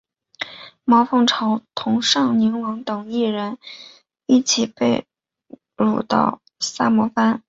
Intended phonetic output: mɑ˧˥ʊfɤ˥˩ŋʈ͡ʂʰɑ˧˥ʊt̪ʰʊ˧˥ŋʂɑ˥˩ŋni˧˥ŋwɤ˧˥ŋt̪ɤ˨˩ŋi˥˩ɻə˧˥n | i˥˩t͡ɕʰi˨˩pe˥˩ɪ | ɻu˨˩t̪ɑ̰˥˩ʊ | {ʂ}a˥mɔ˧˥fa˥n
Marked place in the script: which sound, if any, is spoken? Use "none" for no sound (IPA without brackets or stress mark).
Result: s